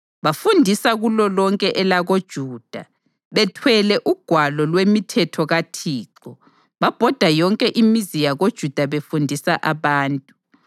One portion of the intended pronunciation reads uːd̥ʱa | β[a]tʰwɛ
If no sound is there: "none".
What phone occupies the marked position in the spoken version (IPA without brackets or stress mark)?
ɛ